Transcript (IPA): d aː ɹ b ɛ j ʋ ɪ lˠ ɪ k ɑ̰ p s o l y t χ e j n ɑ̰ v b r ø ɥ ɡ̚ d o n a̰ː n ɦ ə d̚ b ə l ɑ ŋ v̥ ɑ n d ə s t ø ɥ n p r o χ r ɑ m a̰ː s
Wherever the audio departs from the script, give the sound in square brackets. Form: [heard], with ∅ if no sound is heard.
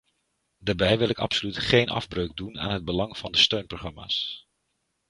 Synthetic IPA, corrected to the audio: d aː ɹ b ɛ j ʋ ɪ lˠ ɪ k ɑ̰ p s o l y t χ e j n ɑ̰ v b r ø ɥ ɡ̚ d [u] n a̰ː n ɦ ə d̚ b ə l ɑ ŋ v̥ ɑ n d ə s t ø ɥ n p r o χ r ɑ m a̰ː s